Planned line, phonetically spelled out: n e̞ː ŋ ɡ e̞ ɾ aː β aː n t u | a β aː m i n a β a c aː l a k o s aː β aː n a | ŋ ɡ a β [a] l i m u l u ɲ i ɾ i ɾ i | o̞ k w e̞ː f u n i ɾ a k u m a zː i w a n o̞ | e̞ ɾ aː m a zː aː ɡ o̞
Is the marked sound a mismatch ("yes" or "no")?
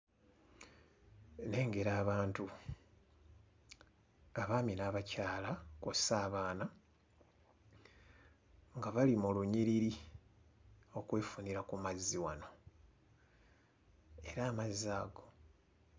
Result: no